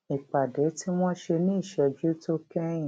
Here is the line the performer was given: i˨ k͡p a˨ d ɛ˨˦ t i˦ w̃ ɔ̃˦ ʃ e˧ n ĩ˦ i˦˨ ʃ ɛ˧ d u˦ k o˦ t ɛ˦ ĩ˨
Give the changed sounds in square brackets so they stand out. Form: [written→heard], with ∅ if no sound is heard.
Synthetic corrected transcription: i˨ k͡p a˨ d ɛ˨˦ t i˦ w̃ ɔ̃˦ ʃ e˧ n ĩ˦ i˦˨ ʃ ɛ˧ [d→d͡ʒ] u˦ [k→t] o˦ [t→k] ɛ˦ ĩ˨